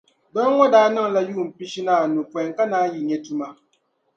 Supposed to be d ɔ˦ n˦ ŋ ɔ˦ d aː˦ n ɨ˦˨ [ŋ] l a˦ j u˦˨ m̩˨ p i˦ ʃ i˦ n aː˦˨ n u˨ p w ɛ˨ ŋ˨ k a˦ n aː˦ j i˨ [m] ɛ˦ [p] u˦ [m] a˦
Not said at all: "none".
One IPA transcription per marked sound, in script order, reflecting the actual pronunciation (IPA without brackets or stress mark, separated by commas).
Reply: ŋ, ɲ, t, m